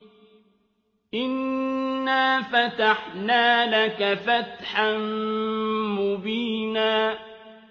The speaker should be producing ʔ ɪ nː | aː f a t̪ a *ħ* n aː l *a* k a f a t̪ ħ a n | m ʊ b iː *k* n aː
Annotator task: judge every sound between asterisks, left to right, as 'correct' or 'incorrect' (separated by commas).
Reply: correct, correct, incorrect